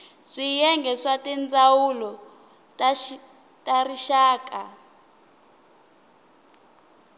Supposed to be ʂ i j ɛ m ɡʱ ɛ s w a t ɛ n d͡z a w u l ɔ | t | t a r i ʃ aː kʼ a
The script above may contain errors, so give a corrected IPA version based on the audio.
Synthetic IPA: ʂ i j ɛ ŋ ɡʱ ɛ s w a t ɛ n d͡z a w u l ɔ | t | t a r i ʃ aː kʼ a